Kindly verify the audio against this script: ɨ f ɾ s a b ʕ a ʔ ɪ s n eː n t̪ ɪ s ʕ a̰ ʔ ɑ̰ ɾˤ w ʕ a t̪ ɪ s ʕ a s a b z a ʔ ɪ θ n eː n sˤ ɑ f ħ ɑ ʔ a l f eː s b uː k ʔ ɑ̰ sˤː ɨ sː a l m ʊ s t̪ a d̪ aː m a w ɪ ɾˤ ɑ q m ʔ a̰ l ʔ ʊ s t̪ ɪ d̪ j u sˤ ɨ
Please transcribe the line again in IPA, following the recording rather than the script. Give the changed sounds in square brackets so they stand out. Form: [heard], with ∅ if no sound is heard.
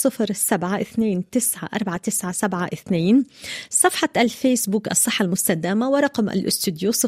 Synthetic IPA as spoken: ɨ f ɾ s a b ʕ a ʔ ɪ [θ] n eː n t̪ ɪ s ʕ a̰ ʔ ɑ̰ ɾˤ [b] ʕ a t̪ ɪ s ʕ a s a b [ʕ] a ʔ ɪ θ n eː n sˤ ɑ f ħ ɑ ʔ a l f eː s b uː k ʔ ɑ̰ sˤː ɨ [ħː] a l m ʊ s t̪ a d̪ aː m a w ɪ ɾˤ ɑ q m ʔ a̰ l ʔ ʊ s t̪ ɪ d̪ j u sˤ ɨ